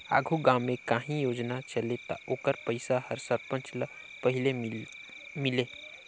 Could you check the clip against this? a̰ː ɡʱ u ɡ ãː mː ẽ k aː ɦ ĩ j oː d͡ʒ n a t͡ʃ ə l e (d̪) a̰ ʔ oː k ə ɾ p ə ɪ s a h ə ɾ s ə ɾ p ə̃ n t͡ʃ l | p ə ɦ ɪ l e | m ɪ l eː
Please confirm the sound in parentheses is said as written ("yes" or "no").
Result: no